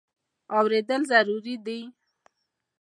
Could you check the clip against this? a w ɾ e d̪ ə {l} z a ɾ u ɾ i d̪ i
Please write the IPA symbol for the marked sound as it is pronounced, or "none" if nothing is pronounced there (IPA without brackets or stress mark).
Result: l